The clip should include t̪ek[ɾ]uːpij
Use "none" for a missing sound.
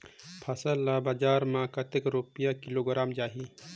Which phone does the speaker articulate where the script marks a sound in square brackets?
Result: ɾ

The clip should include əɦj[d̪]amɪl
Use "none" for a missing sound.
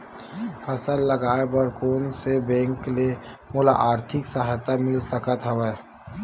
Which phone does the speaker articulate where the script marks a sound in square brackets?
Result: t̪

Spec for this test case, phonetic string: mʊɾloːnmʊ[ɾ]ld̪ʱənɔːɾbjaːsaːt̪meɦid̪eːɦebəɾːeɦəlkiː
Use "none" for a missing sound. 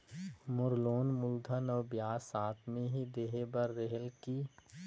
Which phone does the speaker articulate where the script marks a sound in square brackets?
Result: none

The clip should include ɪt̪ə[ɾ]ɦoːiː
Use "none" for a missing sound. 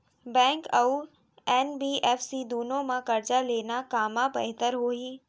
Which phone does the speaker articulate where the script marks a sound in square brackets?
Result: ɾ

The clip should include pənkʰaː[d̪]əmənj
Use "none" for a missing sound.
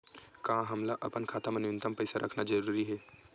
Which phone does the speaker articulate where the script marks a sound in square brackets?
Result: t̪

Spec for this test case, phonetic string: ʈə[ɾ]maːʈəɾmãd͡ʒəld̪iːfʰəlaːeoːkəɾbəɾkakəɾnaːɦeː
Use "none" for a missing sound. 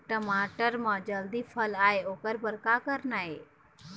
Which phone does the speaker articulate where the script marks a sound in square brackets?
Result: none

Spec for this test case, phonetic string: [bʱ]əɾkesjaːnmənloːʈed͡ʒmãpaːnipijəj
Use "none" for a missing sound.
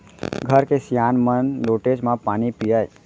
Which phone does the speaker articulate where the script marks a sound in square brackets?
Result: ɡʱ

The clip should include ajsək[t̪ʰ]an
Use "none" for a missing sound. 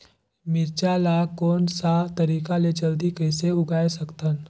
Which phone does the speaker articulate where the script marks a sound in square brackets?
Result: t̪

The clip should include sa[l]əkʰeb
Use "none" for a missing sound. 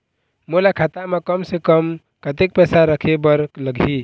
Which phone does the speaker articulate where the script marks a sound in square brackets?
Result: ɾ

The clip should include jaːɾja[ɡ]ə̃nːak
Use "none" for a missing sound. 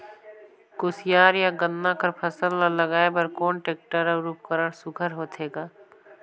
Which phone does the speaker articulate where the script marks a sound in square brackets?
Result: ɡ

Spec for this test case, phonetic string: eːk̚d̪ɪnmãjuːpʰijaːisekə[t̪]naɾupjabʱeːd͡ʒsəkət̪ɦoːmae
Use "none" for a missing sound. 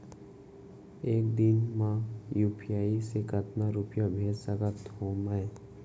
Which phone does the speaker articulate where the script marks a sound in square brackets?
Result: t̪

